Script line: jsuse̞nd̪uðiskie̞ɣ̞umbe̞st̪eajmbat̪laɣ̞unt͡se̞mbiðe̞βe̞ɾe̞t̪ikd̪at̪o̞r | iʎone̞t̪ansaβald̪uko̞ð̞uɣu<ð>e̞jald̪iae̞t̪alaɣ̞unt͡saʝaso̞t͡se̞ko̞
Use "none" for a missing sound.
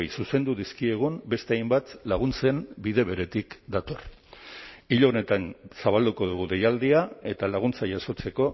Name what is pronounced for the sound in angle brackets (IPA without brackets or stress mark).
ð